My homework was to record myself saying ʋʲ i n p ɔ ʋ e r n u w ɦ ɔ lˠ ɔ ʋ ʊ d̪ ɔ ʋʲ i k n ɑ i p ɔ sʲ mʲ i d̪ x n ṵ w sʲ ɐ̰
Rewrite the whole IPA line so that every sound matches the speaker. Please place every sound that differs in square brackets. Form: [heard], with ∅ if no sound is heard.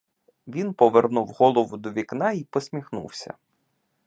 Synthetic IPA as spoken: ʋʲ i n p ɔ ʋ e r n u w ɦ ɔ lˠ ɔ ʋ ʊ d̪ ɔ ʋʲ i k n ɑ i p ɔ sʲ mʲ i [∅] x n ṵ w sʲ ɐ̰